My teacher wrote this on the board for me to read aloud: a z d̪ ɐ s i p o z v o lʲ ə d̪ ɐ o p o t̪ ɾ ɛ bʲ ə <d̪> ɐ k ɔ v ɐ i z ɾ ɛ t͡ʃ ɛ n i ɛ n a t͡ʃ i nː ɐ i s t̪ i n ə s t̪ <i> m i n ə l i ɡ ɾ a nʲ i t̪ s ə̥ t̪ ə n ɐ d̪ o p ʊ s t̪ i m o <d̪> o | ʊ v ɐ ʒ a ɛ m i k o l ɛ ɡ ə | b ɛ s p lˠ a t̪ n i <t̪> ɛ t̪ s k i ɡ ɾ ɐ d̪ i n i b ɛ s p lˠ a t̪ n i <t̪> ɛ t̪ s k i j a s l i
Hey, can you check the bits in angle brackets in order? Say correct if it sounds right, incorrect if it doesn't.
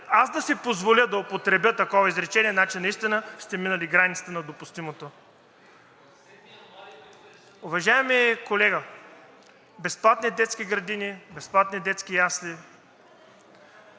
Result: incorrect: t̪, incorrect: ɛ, incorrect: t̪, incorrect: d̪, incorrect: d̪

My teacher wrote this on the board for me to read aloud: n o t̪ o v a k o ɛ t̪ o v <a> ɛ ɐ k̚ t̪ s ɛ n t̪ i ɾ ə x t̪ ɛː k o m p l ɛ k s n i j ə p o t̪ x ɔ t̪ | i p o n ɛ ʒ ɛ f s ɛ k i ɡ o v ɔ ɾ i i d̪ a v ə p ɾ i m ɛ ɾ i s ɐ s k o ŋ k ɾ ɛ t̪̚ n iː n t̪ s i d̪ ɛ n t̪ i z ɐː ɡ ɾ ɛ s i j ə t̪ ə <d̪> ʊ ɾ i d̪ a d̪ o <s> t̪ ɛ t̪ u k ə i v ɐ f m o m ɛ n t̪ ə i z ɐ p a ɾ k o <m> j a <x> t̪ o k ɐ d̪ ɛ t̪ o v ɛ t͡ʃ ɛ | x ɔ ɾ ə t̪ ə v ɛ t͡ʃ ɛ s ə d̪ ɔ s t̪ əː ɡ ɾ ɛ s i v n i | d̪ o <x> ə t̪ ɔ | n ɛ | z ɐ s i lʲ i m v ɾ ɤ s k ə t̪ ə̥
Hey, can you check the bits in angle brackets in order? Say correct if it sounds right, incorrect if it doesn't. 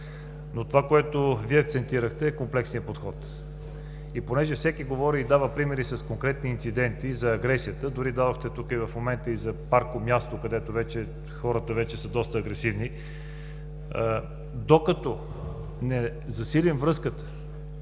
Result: incorrect: i, correct, incorrect: x, correct, incorrect: s, incorrect: k

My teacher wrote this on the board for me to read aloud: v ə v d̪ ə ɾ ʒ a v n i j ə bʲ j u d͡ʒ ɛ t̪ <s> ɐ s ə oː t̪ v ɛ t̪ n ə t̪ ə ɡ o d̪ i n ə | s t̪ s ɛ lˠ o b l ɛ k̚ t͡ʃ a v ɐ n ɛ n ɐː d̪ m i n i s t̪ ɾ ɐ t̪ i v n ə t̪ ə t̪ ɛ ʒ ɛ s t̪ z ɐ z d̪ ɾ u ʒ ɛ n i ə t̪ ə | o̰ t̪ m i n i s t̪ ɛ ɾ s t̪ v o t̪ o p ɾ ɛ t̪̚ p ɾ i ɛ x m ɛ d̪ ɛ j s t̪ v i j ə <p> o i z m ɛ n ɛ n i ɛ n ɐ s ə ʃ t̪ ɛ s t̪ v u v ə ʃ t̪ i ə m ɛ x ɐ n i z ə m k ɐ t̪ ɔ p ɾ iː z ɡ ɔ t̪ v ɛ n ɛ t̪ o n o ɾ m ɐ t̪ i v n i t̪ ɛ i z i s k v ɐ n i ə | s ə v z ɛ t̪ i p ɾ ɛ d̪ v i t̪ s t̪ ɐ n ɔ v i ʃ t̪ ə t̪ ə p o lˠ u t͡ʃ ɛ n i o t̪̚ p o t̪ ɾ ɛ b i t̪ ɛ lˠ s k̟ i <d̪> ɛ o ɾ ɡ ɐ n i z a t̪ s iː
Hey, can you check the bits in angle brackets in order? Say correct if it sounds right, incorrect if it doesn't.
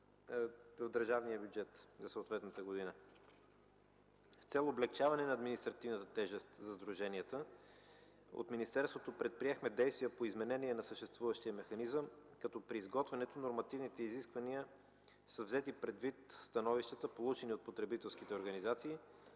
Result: incorrect: z, correct, incorrect: t̪

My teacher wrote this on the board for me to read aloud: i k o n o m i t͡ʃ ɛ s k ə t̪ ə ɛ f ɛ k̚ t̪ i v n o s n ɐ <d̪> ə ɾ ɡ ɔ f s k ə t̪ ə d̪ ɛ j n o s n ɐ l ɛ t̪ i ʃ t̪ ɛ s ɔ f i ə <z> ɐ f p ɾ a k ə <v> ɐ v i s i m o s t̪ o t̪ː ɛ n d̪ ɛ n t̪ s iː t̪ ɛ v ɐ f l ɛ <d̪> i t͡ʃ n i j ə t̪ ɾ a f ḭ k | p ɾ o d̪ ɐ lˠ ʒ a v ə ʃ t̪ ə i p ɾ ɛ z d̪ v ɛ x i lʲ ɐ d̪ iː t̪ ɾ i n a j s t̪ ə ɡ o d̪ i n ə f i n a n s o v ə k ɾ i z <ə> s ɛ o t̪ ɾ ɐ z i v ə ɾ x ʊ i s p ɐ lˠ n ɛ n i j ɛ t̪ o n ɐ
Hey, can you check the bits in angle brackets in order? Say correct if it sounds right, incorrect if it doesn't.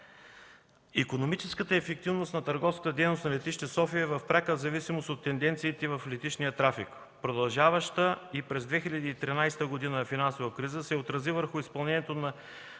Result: incorrect: t̪, incorrect: v, incorrect: z, incorrect: t̪, correct

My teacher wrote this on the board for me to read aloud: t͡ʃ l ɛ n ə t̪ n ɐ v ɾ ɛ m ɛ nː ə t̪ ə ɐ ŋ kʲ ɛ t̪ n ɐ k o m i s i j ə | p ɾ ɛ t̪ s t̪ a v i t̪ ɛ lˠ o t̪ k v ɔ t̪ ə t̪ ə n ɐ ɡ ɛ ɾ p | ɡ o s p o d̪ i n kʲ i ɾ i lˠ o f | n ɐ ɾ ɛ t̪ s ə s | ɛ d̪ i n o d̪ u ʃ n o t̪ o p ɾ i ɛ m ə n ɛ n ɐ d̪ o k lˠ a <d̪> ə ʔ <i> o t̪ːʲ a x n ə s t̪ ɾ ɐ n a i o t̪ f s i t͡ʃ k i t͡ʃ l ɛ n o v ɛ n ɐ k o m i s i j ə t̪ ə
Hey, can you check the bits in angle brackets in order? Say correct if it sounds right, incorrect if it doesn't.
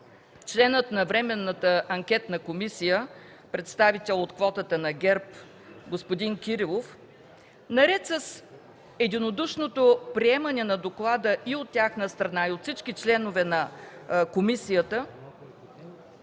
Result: correct, correct

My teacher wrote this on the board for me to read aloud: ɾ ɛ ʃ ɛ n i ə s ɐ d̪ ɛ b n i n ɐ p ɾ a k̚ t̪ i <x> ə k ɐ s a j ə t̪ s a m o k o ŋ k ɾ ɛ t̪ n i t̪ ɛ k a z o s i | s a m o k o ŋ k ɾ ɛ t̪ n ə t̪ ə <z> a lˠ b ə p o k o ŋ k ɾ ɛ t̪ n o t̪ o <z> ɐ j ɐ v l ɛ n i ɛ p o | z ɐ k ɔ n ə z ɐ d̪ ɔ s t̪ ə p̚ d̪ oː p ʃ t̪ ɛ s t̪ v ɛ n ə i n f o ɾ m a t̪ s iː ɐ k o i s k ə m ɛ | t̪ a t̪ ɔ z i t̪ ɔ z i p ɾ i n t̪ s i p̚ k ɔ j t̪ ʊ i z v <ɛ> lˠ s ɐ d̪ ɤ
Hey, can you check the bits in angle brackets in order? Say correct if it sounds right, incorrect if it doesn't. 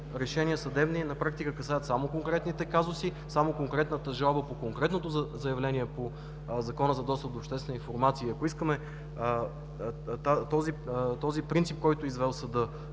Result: incorrect: k, incorrect: ʒ, correct, correct

